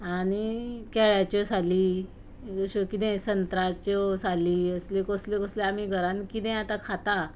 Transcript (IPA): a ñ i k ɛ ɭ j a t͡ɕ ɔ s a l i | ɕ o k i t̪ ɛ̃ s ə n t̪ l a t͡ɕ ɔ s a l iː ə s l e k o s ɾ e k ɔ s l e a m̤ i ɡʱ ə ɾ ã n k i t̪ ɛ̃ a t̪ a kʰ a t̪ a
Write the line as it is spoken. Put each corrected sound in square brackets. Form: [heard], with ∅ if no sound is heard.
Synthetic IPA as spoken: a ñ i k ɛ ɭ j a t͡ɕ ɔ s a l i | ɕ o k i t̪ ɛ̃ s ə n t̪ [ɾ] a t͡ɕ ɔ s a l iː ə s l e k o s [l] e k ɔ s l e a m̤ i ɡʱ ə ɾ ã n k i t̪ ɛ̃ a t̪ a kʰ a t̪ a